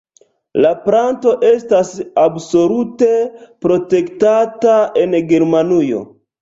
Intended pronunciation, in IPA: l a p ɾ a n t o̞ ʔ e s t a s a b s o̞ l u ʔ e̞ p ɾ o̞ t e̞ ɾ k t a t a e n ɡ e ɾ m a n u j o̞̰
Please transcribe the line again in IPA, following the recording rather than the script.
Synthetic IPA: l a p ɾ a n t o̞ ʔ e s t a s a b s o̞ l u t e̞ p ɾ o̞ t e̞ k t a t a e n ɡ e ɾ m a n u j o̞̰